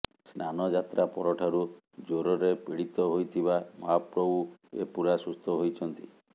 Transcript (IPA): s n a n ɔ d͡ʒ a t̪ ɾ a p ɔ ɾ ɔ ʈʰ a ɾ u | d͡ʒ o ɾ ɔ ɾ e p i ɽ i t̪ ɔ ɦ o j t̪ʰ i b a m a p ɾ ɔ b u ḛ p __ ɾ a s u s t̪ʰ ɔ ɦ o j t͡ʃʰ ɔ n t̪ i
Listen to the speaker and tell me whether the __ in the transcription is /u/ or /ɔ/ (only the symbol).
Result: u